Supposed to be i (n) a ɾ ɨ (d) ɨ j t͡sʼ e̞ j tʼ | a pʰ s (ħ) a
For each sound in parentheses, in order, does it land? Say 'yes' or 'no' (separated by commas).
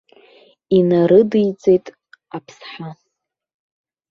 yes, yes, yes